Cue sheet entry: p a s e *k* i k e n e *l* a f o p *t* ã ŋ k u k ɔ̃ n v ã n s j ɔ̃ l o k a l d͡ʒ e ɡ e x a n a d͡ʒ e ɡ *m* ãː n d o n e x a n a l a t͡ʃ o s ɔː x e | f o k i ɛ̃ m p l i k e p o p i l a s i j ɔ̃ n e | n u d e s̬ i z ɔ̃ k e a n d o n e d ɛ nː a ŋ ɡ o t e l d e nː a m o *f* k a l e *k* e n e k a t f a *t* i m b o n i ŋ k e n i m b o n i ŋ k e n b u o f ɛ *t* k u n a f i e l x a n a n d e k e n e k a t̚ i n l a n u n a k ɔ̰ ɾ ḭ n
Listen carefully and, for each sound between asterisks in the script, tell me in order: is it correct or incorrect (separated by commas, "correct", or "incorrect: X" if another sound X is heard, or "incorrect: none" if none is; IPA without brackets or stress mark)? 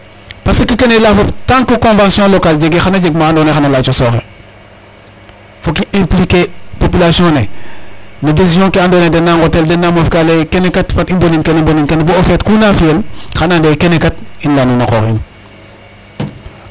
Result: correct, correct, correct, correct, correct, correct, correct, correct